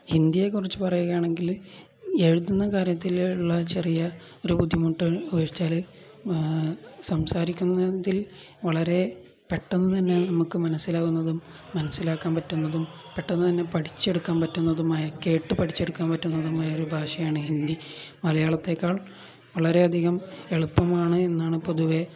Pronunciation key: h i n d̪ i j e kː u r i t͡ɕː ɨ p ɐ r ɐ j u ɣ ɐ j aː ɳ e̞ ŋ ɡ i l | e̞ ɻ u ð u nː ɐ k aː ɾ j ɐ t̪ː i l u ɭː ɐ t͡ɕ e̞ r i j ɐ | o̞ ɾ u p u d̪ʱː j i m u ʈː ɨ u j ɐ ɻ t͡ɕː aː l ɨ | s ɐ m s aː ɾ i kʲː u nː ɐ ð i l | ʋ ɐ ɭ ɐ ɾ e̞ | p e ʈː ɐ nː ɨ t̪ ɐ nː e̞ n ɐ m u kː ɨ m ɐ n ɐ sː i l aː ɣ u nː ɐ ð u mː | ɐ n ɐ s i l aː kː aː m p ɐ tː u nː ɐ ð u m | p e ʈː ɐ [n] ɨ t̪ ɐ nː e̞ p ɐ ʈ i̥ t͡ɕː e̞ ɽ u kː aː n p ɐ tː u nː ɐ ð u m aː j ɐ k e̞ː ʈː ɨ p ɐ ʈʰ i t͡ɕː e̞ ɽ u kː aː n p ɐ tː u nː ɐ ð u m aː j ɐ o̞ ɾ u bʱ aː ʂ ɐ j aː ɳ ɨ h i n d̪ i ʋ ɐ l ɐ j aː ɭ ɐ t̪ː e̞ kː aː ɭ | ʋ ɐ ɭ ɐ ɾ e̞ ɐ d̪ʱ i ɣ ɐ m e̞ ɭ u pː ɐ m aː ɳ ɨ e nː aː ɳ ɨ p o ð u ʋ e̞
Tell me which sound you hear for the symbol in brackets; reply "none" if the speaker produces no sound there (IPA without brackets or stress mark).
nː